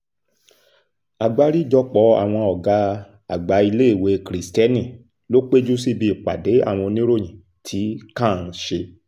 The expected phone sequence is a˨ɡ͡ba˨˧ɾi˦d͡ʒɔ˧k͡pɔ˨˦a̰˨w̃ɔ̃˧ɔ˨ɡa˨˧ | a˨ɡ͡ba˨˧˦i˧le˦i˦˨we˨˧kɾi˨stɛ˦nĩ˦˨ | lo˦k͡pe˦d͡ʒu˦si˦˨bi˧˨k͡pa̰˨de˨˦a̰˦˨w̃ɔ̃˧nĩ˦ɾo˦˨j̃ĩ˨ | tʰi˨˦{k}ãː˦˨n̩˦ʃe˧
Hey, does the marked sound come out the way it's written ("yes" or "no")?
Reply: yes